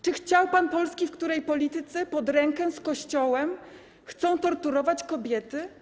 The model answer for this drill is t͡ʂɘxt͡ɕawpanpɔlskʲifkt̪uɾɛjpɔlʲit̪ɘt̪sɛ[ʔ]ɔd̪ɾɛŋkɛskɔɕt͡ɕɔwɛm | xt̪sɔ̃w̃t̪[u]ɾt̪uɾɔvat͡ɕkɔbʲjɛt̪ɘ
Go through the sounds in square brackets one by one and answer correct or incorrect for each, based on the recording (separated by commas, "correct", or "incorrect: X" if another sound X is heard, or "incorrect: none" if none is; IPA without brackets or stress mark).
incorrect: p, incorrect: ɔ